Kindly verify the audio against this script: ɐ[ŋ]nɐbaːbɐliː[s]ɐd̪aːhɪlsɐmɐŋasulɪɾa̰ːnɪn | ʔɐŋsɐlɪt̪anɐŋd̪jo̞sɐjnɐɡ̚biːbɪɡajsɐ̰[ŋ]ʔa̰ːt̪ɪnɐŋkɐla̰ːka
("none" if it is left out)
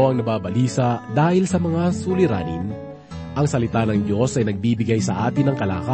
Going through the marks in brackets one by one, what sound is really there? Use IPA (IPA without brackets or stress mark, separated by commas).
ŋ, s, none